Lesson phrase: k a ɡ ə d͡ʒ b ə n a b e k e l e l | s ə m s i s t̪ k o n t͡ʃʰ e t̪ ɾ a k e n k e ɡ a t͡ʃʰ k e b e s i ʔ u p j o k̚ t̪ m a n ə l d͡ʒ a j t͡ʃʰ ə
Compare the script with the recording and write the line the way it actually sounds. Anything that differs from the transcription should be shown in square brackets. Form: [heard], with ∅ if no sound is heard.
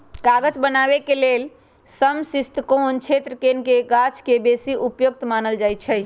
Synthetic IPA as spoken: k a ɡ ə d͡ʒ b ə n a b e k e l e l | s ə m s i s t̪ k o n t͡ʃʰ e t̪ ɾ [ə] k e n k e ɡ a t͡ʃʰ k e b e s i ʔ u p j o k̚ t̪ m a n ə l d͡ʒ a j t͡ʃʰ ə